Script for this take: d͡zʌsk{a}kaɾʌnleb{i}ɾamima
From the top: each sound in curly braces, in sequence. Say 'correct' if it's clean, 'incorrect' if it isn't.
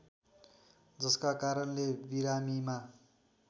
correct, correct

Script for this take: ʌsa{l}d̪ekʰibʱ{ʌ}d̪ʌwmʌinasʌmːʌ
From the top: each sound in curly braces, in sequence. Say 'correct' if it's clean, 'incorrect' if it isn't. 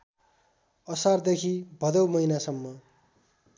incorrect, correct

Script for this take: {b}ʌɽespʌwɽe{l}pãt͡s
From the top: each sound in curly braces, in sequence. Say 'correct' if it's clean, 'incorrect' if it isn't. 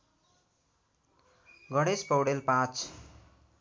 incorrect, correct

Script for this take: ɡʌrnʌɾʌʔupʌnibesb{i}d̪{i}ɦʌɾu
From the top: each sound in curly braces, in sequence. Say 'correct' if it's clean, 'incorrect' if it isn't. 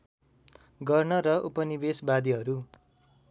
incorrect, correct

